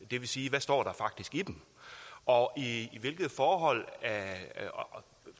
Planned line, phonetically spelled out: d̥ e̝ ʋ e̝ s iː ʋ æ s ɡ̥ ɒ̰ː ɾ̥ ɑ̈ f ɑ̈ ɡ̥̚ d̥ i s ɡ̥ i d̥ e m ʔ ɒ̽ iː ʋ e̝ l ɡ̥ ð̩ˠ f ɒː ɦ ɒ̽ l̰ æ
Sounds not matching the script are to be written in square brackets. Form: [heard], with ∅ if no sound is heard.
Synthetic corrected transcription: d̥ e̝ ʋ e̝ s iː ʋ æ s [d̥] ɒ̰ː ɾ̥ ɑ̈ f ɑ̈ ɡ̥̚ d̥ i s ɡ̥ i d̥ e m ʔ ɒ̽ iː ʋ e̝ l ɡ̥ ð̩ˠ f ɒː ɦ ɒ̽ l̰ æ